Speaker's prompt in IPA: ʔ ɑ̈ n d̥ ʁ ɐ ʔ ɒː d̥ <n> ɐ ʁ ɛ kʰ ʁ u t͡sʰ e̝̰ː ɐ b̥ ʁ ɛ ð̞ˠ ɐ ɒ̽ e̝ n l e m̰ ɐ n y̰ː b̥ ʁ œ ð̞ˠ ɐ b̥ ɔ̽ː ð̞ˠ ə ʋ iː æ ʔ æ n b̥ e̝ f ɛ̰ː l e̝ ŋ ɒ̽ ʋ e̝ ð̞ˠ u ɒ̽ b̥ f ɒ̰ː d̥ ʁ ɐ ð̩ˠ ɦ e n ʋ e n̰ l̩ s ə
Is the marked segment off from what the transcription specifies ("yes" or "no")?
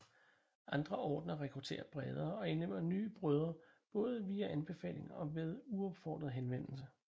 no